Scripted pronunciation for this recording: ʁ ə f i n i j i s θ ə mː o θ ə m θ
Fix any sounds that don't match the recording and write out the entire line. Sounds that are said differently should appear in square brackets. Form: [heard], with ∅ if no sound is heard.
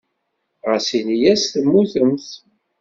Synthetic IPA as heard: ʁ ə [s] i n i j [æ] s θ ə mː [u] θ ə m θ